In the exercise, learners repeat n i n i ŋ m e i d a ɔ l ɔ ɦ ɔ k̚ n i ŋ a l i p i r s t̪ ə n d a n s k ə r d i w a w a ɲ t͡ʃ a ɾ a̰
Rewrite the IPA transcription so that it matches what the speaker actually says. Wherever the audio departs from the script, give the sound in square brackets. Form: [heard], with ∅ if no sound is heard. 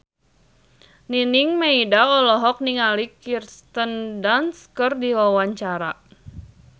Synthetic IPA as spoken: n i n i ŋ m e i d a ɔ l ɔ ɦ ɔ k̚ n i ŋ a l i [k] i r s t̪ ə n d a n s k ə r d i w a w a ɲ t͡ʃ a ɾ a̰